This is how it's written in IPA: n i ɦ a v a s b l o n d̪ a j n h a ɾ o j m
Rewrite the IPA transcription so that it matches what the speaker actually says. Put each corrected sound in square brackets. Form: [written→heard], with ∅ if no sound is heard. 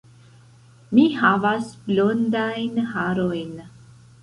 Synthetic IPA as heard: [n→m] i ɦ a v a s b l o n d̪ a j n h a ɾ o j [m→n]